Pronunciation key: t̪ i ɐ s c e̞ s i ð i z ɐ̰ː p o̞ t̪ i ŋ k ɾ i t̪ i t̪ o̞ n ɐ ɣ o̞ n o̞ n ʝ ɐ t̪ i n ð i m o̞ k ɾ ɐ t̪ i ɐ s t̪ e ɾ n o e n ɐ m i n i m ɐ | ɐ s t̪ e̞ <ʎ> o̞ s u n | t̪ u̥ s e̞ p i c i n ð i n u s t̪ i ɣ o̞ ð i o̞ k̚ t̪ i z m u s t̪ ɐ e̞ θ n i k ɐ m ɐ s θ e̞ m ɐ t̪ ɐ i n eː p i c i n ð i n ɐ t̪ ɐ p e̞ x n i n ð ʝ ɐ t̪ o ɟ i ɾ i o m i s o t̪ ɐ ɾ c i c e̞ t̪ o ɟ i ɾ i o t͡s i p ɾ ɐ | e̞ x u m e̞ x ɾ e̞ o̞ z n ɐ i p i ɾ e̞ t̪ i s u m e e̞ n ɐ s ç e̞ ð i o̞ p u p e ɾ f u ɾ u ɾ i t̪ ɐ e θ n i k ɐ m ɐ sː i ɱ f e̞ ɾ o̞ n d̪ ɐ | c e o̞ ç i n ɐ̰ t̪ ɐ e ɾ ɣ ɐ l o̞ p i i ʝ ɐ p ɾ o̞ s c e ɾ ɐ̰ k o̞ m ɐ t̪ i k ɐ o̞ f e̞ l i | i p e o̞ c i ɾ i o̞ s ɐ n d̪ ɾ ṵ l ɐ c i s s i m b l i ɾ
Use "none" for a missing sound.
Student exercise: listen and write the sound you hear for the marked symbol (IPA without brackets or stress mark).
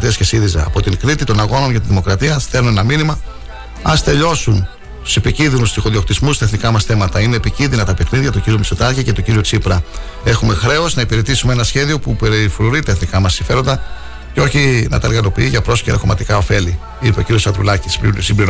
ʎ